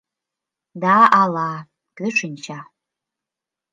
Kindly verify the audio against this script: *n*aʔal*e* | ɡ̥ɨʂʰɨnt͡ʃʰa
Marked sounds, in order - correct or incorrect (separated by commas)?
incorrect, incorrect